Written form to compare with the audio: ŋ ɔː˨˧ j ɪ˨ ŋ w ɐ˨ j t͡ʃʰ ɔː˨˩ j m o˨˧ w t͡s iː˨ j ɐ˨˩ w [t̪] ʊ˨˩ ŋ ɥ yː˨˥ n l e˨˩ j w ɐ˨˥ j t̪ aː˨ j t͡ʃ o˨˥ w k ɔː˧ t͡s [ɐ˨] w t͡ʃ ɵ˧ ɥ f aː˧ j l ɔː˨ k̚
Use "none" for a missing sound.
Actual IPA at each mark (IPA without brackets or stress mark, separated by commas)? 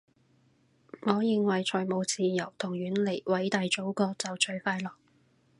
t̪ʰ, ɐ˨